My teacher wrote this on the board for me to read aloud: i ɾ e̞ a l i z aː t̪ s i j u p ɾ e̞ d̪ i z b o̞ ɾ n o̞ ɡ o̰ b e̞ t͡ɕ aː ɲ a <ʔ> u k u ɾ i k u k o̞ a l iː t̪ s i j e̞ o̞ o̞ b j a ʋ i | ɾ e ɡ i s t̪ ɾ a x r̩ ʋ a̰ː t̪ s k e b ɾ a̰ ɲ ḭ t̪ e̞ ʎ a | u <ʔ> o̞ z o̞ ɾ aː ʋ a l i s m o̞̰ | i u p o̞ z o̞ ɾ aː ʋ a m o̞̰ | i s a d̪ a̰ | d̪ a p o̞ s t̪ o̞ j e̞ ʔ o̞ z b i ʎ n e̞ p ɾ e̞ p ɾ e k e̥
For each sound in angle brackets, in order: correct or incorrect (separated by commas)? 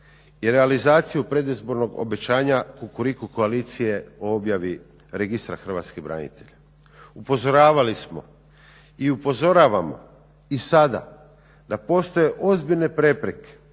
incorrect, incorrect